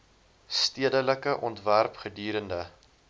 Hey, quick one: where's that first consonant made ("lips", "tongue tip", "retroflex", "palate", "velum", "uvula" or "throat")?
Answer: tongue tip